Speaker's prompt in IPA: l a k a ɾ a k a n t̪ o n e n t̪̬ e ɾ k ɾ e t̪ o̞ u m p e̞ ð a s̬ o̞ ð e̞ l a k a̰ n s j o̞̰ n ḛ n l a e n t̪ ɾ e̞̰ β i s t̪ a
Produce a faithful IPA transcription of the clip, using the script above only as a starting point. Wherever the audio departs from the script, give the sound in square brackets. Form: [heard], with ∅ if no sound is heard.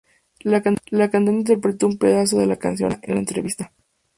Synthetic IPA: l a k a [l] a k a n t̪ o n [i] n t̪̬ e ɾ [p] ɾ e t̪ o̞ u m p e̞ ð a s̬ o̞ ð e̞ l a k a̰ n s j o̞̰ n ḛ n l a e n t̪ ɾ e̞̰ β i s t̪ a